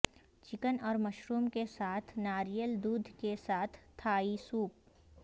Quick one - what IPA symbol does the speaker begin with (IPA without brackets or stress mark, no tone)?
t͡ʃ